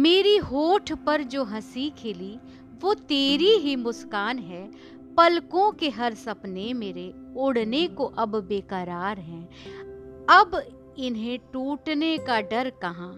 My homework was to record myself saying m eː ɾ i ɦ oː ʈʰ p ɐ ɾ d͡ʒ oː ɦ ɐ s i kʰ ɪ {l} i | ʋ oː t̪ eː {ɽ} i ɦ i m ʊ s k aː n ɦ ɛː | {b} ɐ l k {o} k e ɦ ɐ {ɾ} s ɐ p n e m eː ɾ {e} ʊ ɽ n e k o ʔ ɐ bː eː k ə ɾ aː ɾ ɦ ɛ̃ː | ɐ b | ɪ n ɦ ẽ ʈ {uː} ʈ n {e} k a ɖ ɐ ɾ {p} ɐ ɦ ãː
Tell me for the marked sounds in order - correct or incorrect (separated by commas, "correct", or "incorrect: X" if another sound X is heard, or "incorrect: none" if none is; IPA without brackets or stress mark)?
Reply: correct, incorrect: ɾ, incorrect: p, incorrect: õ, correct, correct, correct, correct, incorrect: k